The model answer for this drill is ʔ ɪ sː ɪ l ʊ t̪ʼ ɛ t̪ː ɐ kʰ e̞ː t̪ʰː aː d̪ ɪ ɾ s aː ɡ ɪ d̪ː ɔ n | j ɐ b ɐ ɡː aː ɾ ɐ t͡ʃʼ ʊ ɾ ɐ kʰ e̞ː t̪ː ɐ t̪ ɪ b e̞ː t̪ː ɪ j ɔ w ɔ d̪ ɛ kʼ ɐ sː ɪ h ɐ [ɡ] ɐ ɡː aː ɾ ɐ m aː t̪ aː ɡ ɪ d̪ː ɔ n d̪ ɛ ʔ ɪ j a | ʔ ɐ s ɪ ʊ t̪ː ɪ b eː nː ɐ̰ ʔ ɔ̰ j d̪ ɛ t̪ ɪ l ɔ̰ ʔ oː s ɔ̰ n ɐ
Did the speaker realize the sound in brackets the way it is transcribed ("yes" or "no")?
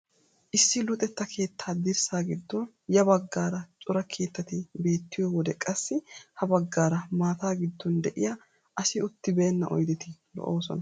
no